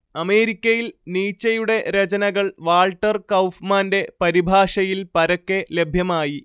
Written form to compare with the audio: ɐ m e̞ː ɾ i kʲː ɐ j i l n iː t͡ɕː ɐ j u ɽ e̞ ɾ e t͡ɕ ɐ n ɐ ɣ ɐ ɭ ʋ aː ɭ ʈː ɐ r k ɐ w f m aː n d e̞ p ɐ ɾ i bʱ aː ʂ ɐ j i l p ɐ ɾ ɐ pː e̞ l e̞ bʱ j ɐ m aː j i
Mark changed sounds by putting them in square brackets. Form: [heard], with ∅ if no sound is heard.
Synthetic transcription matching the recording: ɐ m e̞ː ɾ i kʲː ɐ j i l n iː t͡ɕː ɐ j u ɽ e̞ ɾ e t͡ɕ ɐ n ɐ ɣ ɐ ɭ ʋ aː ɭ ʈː ɐ r k ɐ w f m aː n d e̞ p ɐ ɾ i bʱ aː ʂ ɐ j i l p ɐ ɾ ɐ [kː] e̞ l e̞ bʱ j ɐ m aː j i